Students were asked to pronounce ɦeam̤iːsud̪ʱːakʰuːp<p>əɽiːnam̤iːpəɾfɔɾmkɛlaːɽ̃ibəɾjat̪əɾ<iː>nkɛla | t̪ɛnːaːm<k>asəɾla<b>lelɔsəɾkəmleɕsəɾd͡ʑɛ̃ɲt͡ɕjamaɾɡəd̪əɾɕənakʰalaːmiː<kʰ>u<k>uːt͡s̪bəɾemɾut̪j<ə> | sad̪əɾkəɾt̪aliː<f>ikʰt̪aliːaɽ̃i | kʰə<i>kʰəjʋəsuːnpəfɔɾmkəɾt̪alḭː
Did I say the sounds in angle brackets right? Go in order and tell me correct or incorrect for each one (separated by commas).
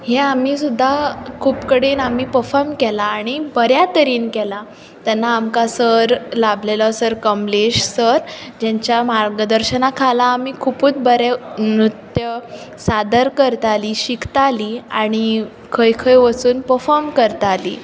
incorrect, correct, correct, correct, correct, incorrect, correct, incorrect, incorrect